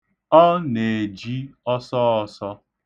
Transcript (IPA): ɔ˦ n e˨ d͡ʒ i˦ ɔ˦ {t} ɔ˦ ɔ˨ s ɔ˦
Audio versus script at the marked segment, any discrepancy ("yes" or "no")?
yes